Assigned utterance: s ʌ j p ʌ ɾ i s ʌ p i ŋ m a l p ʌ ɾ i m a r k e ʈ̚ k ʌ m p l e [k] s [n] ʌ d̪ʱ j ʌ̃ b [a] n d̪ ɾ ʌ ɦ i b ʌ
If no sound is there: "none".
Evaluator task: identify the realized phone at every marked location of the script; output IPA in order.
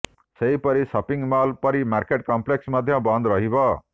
k, m, ʌ

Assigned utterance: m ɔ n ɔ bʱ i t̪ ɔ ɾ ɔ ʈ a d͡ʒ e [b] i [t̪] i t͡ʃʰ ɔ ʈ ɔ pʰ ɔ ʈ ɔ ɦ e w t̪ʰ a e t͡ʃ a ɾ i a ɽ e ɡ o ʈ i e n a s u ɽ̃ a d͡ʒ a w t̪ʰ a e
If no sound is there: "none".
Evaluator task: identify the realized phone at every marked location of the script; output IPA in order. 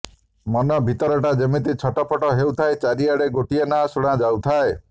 m, t̪

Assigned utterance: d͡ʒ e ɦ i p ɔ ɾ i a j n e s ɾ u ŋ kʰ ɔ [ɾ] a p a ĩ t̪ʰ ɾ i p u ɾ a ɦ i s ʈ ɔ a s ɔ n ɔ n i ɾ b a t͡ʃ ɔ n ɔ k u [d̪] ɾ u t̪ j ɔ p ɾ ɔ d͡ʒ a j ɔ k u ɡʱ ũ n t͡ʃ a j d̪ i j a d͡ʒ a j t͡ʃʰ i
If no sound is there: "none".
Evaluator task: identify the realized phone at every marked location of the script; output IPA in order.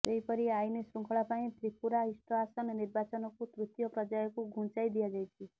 ɭ, t̪

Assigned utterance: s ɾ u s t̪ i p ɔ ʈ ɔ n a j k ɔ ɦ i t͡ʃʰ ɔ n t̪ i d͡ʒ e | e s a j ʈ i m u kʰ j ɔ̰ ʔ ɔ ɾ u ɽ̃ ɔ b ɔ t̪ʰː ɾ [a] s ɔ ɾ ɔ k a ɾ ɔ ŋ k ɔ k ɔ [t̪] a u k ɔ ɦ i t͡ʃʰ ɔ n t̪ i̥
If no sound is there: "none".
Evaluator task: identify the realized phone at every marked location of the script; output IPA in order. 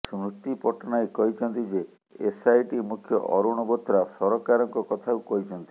a, t̪ʰ

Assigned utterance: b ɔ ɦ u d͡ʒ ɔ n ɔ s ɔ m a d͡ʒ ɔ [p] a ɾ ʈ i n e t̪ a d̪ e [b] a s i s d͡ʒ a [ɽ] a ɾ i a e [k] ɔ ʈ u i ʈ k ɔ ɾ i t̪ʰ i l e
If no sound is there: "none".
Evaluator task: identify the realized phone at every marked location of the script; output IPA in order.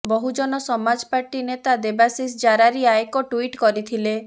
p, b, ɾ, k

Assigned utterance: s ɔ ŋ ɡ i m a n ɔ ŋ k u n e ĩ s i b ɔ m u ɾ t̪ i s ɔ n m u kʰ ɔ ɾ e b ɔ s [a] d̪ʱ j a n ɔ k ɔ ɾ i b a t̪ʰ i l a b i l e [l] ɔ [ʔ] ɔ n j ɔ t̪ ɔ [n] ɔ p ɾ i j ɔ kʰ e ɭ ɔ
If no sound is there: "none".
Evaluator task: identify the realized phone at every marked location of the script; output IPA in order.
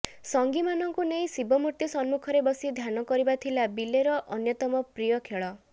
i, ɾ, ʔ, m

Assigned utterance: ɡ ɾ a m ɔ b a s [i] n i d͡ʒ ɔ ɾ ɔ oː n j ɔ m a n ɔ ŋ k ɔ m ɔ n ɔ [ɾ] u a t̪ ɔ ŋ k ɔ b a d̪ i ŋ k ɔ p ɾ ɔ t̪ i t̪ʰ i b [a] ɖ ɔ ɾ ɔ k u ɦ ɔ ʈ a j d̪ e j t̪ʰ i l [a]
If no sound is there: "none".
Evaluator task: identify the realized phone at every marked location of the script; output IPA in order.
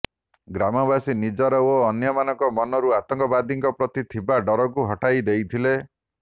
i, ɾ, a, e

